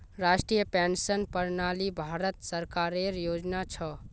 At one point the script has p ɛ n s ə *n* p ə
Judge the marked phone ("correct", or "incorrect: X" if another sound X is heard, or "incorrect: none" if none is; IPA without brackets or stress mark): correct